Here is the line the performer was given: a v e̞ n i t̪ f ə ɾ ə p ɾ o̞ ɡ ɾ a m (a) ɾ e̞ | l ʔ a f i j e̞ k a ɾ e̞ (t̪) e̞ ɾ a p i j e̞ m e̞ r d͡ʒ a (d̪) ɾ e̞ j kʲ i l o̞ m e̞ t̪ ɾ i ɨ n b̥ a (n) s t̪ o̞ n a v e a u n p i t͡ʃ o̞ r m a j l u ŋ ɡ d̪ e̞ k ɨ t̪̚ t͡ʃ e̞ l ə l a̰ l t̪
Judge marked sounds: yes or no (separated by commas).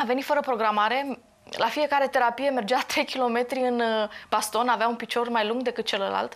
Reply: yes, yes, no, no